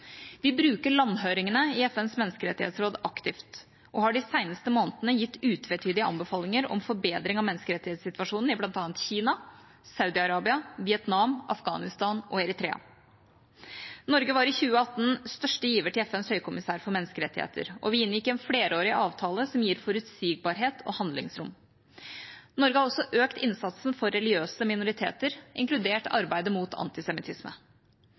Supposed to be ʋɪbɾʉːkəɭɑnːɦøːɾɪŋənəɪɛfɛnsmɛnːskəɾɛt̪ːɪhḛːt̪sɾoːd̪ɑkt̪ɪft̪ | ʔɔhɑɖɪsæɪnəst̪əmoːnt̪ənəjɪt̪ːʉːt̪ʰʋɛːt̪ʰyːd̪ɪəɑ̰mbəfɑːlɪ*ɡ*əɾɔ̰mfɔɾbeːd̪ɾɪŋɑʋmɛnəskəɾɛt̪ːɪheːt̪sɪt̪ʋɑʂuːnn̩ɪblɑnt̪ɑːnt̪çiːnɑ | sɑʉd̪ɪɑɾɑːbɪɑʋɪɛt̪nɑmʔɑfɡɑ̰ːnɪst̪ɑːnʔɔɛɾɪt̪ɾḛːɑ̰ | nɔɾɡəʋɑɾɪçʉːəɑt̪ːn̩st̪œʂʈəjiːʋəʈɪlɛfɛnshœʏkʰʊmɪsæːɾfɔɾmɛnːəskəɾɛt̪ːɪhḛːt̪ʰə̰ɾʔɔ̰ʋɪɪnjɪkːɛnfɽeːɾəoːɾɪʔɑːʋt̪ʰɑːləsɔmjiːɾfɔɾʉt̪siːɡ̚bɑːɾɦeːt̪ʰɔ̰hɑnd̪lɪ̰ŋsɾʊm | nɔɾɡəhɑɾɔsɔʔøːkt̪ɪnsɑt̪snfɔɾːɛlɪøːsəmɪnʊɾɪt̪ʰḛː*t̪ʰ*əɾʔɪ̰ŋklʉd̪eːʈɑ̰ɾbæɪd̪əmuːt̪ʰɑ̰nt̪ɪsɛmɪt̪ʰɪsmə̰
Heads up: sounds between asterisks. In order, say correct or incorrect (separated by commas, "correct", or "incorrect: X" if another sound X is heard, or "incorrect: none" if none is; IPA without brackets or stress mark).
incorrect: ŋ, incorrect: t̪